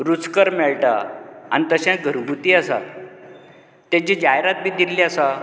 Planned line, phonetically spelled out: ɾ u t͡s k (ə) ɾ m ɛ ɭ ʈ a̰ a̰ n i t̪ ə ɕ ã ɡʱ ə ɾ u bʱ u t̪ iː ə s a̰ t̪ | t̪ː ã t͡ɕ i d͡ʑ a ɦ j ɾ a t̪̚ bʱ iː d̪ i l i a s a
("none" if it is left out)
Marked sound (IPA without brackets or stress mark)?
ə